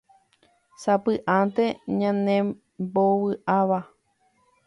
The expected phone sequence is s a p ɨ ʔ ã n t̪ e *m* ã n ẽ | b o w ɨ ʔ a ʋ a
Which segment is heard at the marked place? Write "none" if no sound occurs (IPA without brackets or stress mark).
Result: ɲ